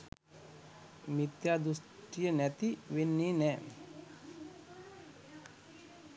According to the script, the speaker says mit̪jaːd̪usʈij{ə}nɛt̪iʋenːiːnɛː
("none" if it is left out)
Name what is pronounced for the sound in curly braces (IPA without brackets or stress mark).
ə